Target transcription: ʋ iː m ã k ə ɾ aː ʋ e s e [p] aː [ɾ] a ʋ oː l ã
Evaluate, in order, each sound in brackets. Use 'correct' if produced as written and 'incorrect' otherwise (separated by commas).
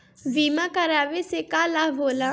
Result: incorrect, incorrect